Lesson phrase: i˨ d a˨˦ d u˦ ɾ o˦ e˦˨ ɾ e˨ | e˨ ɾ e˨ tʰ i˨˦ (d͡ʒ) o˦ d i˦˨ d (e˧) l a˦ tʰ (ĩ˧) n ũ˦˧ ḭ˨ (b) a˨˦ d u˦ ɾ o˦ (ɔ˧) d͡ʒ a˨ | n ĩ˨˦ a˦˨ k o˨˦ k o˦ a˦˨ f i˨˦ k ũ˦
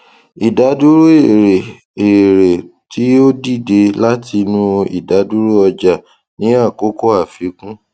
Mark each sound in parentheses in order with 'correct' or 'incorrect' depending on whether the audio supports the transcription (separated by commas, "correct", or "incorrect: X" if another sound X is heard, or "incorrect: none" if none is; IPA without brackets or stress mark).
incorrect: none, correct, incorrect: i˧, incorrect: d, correct